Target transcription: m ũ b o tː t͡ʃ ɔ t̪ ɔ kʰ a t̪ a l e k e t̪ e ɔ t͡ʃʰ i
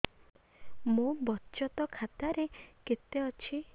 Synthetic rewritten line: m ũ b ɔ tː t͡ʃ ɔ t̪ ɔ kʰ a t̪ a ɾ e k e t̪ e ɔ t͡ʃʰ i